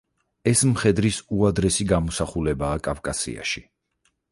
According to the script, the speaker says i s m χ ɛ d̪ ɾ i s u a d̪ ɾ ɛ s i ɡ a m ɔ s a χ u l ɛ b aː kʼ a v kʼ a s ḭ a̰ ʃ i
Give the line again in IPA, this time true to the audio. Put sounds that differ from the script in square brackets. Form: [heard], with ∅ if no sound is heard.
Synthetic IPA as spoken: [ɛ] s m χ ɛ d̪ ɾ i s u a d̪ ɾ ɛ s i ɡ a m ɔ s a χ u l ɛ b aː kʼ a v kʼ a s ḭ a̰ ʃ i

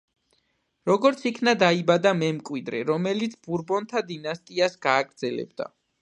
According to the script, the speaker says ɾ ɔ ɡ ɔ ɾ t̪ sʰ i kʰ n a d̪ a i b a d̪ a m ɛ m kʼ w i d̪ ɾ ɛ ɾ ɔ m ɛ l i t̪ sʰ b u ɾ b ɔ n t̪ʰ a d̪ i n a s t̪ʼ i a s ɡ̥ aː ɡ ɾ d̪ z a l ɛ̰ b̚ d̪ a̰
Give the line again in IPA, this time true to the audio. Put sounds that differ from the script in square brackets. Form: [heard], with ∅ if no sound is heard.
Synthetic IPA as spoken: ɾ ɔ ɡ ɔ ɾ t̪ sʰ i kʰ n a d̪ a i b a d̪ a m ɛ m kʼ w i d̪ ɾ ɛ ɾ ɔ m ɛ l i t̪ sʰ b u ɾ b ɔ n t̪ʰ a d̪ i n a s t̪ʼ i a s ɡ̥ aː ɡ ɾ d̪ z [ɛ] l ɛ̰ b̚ d̪ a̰

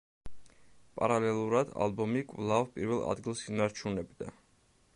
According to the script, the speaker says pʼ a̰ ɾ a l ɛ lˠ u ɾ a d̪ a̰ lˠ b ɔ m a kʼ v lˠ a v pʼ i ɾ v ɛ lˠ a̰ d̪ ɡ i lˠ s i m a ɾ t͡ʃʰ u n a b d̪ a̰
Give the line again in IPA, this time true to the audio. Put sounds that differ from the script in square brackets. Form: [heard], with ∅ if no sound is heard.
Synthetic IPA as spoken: pʼ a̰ ɾ a l ɛ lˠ u ɾ a d̪ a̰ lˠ b ɔ m [i] kʼ v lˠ a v pʼ i ɾ v ɛ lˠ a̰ d̪ ɡ i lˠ s i [n] a ɾ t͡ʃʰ u n [ɛ] b d̪ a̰

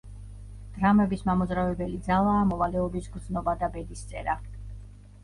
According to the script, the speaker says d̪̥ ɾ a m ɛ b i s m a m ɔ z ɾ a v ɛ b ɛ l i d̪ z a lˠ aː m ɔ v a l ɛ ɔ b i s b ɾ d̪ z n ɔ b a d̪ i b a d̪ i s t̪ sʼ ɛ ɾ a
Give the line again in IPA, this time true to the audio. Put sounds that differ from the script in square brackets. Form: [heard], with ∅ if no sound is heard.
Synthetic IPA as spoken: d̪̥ ɾ a m ɛ b i s m a m ɔ z ɾ a v ɛ b ɛ l i d̪ z a lˠ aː m ɔ v a l ɛ ɔ b i s [ɡ] ɾ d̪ z n ɔ b a d̪ [a] b [ɛ] d̪ i s t̪ sʼ ɛ ɾ a

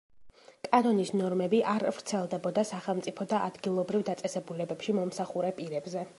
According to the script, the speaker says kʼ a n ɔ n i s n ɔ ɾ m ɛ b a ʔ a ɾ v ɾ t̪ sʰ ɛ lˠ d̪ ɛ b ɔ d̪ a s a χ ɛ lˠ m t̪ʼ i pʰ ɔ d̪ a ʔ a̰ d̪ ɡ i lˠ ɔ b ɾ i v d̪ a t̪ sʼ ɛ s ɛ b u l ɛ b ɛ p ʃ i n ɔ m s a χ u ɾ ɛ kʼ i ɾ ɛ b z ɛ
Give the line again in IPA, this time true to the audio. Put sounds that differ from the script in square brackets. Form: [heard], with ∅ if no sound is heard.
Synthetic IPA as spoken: kʼ a n ɔ n i s n ɔ ɾ m ɛ b [i] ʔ a ɾ v ɾ t̪ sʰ ɛ lˠ d̪ ɛ b ɔ d̪ a s a χ ɛ lˠ m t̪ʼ i pʰ ɔ d̪ a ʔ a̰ d̪ ɡ i lˠ ɔ b ɾ i v d̪ a t̪ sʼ ɛ s ɛ b u l ɛ b ɛ p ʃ i [m] ɔ m s a χ u ɾ ɛ [pʼ] i ɾ ɛ b z ɛ

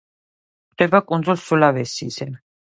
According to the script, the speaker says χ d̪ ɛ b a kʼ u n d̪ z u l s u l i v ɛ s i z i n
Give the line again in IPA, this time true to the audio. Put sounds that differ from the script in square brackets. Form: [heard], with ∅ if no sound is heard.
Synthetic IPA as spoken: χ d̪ ɛ b a kʼ u n d̪ z u l s u l [a] v ɛ s i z [ɛ] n

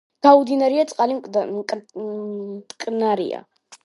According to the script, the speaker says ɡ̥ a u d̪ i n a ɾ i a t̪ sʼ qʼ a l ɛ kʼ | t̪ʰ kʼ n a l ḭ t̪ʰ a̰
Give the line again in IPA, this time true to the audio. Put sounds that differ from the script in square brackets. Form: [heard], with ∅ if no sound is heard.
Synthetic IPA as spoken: ɡ̥ a u d̪ i n a ɾ i a t̪ sʼ qʼ a l [i] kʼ | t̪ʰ kʼ n a [ɾ] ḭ [∅] a̰

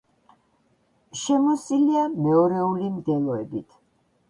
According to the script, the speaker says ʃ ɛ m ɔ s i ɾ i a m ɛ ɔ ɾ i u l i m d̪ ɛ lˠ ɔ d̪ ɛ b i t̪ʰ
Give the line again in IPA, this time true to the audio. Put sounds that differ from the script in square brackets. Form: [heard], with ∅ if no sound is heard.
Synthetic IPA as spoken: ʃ ɛ m ɔ s i [l] i a m ɛ ɔ ɾ [ɛ] u l i m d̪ ɛ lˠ ɔ [∅] ɛ b i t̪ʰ

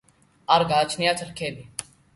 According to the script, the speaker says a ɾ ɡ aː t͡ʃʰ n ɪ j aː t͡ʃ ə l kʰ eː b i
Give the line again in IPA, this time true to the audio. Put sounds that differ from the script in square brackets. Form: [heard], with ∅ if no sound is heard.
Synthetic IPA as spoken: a ɾ ɡ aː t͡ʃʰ n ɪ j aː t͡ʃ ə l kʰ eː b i

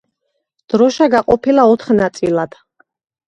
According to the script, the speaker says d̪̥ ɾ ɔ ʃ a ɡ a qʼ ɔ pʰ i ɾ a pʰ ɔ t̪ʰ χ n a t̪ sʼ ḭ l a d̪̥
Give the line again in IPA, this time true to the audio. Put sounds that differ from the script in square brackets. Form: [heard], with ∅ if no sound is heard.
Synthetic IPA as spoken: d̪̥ ɾ ɔ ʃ a ɡ a qʼ ɔ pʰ i [l] a [∅] ɔ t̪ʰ χ n a t̪ sʼ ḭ l a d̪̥

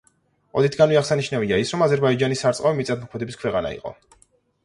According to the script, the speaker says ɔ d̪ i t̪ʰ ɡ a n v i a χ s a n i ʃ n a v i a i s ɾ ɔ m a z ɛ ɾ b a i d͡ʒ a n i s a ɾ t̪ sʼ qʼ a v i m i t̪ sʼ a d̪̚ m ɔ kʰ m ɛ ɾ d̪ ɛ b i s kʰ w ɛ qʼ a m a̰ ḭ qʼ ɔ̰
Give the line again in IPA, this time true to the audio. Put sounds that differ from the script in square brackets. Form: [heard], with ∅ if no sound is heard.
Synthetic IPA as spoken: ɔ d̪ i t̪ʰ ɡ a n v i a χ s a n i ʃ n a v i a i s ɾ ɔ m a z ɛ ɾ b a i d͡ʒ a n i s a ɾ t̪ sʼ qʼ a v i m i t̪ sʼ a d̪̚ m ɔ kʰ m ɛ [∅] d̪ ɛ b i s kʰ w ɛ qʼ a [n] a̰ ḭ qʼ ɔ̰

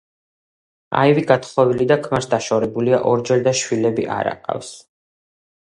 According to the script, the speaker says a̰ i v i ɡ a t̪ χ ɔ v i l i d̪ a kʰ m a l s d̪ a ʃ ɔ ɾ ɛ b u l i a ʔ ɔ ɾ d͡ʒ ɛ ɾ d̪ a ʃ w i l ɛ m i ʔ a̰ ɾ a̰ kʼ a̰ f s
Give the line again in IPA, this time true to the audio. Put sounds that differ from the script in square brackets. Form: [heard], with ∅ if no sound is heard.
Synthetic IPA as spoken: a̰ i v i ɡ a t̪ χ ɔ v i l i d̪ a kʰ m a [ɾ] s d̪ a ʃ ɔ ɾ ɛ b u l i a ʔ ɔ ɾ d͡ʒ ɛ ɾ d̪ a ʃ w i l ɛ [b] i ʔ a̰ ɾ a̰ [qʼ] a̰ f s

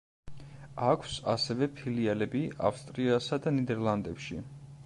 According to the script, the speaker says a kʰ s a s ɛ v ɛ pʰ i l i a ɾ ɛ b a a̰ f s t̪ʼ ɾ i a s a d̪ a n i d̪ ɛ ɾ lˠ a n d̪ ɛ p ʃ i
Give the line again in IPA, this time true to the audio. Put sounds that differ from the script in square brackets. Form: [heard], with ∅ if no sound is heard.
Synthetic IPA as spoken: a kʰ s a s ɛ v ɛ pʰ i l i a [l] ɛ b [i] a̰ f s t̪ʼ ɾ i a s a d̪ a n i d̪ ɛ ɾ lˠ a n d̪ ɛ p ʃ i

